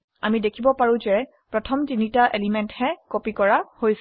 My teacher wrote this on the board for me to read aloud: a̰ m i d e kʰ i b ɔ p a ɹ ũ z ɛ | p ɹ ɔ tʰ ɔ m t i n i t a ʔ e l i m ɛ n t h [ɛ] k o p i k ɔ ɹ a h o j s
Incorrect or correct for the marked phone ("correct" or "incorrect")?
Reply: correct